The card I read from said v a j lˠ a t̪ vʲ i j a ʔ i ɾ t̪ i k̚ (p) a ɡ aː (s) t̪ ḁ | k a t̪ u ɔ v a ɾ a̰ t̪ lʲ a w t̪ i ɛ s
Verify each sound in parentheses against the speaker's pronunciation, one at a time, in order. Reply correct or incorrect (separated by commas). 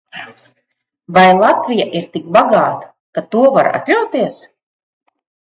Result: incorrect, incorrect